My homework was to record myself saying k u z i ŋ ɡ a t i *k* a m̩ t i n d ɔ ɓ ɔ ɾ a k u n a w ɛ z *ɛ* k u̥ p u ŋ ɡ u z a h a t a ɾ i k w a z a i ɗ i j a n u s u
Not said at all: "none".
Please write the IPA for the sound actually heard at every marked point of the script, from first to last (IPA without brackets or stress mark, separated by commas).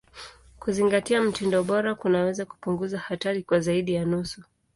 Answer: none, a